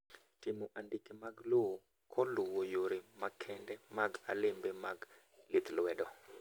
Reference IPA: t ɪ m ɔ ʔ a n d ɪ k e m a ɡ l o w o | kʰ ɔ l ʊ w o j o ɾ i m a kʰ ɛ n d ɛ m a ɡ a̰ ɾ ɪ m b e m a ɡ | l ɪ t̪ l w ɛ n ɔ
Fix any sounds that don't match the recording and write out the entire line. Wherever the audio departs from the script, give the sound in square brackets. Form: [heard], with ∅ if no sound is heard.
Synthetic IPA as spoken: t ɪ m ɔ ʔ a n d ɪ k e m a ɡ l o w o | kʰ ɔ l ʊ w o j o ɾ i m a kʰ ɛ n d ɛ m a ɡ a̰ [l] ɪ m b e m a ɡ | l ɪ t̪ l w ɛ [d] ɔ